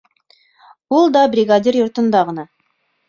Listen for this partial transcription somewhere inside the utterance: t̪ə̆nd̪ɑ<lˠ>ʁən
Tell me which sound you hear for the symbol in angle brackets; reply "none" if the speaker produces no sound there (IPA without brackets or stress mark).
none